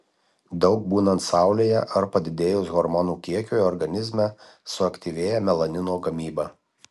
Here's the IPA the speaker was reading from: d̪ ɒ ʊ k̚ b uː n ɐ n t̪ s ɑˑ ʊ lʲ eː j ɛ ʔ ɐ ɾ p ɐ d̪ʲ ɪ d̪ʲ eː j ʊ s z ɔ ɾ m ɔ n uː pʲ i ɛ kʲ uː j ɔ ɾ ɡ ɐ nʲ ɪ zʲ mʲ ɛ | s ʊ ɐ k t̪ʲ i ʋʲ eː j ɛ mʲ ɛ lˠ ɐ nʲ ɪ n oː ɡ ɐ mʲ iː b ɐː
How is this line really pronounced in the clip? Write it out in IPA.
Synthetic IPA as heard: d̪ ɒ ʊ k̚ b uː n ɐ n t̪ s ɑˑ ʊ lʲ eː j ɛ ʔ ɐ ɾ p ɐ d̪ʲ ɪ d̪ʲ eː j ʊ s ɣ ɔ ɾ m ɔ n uː kʲ i ɛ kʲ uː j ɔ ɾ ɡ ɐ nʲ ɪ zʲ mʲ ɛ | s ʊ ɐ k t̪ʲ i ʋʲ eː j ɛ mʲ ɛ lˠ ɐ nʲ ɪ n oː ɡ ɐ mʲ iː b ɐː